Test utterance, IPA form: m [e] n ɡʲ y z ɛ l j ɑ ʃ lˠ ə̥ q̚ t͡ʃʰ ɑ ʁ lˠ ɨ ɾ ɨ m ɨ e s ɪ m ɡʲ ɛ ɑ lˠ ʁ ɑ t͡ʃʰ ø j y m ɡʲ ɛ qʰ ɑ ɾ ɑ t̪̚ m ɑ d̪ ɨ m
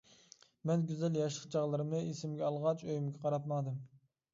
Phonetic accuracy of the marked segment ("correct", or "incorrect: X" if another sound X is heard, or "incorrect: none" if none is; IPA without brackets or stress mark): incorrect: ɛ